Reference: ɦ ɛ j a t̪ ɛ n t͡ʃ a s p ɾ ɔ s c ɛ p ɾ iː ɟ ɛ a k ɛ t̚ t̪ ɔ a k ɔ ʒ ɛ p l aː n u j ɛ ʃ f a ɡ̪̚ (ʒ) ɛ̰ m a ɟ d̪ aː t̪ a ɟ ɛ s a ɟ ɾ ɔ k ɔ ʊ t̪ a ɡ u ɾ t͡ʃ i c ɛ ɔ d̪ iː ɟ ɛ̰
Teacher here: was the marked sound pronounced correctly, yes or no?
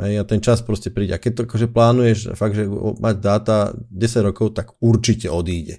yes